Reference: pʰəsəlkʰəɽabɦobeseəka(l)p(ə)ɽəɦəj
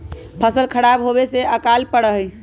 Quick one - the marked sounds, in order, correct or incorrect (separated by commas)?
correct, correct